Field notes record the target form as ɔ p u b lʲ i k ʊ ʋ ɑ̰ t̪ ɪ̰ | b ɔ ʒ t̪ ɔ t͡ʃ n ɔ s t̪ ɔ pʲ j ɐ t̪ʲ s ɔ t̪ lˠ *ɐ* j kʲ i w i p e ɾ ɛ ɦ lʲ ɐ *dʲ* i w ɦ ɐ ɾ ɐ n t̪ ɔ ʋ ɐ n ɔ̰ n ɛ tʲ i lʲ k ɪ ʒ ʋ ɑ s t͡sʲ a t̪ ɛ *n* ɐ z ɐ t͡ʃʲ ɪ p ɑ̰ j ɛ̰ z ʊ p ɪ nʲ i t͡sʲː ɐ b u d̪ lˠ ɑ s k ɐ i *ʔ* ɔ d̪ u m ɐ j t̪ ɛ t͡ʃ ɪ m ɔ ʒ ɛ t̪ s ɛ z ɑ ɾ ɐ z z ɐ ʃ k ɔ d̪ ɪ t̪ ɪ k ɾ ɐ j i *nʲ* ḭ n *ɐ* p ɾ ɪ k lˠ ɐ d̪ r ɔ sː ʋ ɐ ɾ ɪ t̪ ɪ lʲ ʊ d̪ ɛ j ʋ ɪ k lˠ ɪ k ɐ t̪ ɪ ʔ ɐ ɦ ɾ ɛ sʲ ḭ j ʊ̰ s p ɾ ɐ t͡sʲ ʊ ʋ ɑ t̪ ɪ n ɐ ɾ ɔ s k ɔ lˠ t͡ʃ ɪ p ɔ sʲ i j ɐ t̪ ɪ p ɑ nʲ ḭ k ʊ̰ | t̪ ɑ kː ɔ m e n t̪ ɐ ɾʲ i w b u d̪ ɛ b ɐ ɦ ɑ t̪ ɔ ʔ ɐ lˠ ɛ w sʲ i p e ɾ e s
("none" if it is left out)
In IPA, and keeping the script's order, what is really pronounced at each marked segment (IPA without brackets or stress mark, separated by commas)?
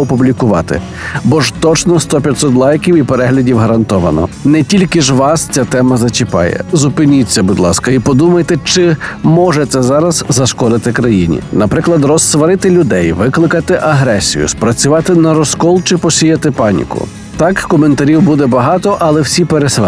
ɑ, dʲ, m, p, nʲ, ɐ